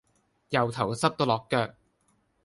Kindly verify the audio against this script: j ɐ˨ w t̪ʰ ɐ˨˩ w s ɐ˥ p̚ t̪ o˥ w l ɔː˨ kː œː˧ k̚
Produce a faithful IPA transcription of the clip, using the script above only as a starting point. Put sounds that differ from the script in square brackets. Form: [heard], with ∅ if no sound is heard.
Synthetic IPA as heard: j ɐ˨ w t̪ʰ ɐ˨˩ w s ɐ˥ p̚ t̪ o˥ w l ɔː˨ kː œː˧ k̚